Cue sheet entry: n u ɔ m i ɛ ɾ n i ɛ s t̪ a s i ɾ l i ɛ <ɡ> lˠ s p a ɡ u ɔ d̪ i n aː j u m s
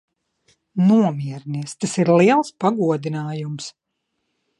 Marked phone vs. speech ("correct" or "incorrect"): incorrect